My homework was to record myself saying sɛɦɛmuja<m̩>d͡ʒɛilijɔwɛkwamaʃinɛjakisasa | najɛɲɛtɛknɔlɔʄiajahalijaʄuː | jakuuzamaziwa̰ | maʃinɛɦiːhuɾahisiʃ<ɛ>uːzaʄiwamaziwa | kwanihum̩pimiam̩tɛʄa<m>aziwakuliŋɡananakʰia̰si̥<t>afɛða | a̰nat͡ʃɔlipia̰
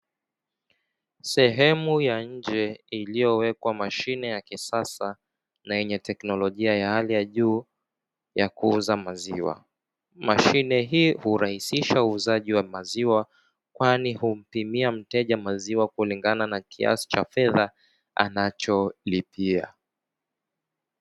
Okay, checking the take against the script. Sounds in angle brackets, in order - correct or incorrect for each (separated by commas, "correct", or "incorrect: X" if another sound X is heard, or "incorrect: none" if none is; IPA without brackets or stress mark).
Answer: incorrect: ɲ̩, incorrect: a, correct, incorrect: t͡ʃ